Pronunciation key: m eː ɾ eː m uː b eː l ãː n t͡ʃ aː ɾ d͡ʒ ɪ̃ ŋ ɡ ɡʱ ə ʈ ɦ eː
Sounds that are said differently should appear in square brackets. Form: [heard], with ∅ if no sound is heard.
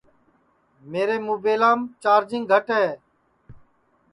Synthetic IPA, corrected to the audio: m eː ɾ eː m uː b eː l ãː [m] t͡ʃ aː ɾ d͡ʒ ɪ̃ ŋ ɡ ɡʱ ə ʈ ɦ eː